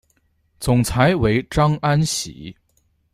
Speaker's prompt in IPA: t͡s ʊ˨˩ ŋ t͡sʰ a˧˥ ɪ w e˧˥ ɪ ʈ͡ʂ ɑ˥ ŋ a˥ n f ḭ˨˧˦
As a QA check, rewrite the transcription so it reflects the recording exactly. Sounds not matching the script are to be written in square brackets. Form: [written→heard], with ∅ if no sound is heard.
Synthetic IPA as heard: t͡s ʊ˨˩ ŋ t͡sʰ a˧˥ ɪ w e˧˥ ɪ ʈ͡ʂ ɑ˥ ŋ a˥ n [f→ɕ] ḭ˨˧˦